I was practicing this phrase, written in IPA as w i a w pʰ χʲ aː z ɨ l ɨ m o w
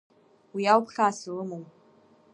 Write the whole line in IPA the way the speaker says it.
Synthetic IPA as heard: w i a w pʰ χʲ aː s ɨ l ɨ m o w